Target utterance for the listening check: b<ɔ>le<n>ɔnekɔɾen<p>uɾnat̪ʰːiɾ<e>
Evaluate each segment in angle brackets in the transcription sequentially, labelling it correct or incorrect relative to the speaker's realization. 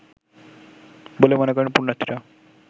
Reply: incorrect: o, incorrect: m, correct, incorrect: a

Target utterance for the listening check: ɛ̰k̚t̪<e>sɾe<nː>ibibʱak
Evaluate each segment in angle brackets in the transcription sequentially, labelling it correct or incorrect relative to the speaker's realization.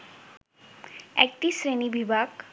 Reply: incorrect: i, incorrect: n

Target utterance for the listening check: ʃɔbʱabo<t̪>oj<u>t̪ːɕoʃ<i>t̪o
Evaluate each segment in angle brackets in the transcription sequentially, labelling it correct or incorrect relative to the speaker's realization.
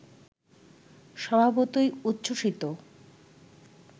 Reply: correct, correct, correct

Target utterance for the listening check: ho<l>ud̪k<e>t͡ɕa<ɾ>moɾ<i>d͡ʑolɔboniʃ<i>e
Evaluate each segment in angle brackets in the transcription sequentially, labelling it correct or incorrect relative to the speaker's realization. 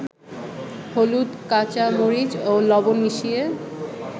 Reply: correct, incorrect: a, incorrect: none, correct, correct

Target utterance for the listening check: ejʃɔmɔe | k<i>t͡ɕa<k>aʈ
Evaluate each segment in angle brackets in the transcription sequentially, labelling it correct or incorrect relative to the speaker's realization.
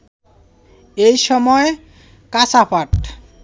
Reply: incorrect: a, incorrect: p

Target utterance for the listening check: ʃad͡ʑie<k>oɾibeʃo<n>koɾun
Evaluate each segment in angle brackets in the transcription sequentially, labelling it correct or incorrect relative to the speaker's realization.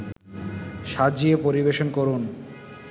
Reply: incorrect: p, correct

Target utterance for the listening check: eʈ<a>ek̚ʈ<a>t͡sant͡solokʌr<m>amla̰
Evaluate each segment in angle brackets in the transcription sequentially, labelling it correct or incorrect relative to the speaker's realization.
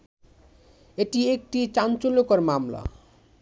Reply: incorrect: i, incorrect: i, correct

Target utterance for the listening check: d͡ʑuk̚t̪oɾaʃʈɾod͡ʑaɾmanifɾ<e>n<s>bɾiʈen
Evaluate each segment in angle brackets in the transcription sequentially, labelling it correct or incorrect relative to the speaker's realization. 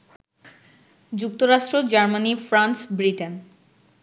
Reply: incorrect: a, correct

